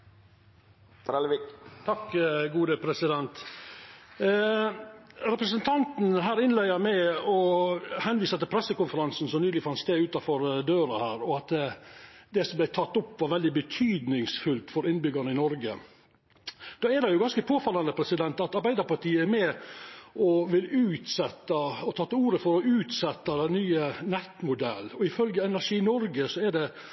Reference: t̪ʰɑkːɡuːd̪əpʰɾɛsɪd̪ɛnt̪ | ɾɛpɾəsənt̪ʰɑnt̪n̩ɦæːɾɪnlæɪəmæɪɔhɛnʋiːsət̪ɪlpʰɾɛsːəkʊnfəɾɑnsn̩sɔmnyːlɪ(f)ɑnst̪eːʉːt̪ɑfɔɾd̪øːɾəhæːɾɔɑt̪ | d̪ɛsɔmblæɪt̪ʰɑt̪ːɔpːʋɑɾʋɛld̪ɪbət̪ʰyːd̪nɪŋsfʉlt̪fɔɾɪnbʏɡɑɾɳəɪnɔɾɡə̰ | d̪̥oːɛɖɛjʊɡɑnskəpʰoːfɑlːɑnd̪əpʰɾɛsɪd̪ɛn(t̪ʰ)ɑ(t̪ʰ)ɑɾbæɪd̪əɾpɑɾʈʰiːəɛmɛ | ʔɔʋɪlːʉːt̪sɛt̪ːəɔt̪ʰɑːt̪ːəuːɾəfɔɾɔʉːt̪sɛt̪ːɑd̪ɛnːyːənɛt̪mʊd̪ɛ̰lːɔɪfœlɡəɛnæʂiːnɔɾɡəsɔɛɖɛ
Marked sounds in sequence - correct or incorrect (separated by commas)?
correct, incorrect, incorrect